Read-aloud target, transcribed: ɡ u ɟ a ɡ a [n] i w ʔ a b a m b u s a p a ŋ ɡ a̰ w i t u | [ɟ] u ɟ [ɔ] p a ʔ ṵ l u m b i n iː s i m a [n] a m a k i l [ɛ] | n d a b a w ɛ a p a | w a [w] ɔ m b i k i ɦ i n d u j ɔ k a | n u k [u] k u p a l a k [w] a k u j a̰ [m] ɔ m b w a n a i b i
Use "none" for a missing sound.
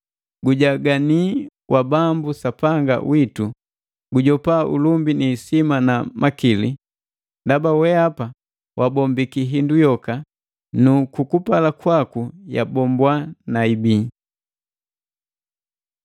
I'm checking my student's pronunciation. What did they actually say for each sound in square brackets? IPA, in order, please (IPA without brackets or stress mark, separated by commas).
n, ɡ, ɔ, n, i, b, u, w, b